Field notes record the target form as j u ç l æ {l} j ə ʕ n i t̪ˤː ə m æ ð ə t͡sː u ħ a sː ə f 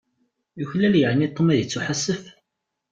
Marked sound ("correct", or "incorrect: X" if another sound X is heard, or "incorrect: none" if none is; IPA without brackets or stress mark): correct